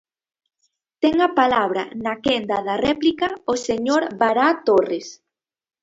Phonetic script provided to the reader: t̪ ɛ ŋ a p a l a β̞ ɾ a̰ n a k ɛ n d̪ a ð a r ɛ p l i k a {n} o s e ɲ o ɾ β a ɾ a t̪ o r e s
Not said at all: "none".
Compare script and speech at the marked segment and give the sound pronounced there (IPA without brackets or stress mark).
none